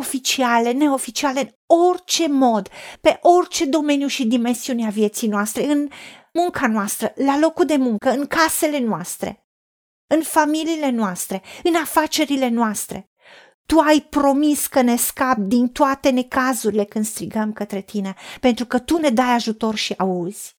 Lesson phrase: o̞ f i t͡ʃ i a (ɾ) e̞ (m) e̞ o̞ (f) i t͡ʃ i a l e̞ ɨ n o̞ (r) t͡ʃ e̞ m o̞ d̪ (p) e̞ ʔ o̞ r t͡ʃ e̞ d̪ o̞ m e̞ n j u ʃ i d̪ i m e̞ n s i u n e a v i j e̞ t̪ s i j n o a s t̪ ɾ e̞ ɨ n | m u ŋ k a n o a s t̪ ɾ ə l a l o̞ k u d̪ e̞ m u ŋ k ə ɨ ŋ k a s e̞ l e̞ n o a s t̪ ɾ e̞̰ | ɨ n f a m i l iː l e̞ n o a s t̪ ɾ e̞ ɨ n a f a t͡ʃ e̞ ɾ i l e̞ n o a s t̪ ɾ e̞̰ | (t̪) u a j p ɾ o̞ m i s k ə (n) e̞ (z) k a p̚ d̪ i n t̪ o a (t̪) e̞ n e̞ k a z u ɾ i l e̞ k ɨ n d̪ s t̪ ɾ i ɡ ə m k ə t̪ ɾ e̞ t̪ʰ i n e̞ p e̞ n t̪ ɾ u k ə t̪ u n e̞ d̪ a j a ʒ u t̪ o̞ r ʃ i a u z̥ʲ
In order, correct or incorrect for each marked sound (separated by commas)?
incorrect, incorrect, correct, correct, correct, correct, correct, incorrect, correct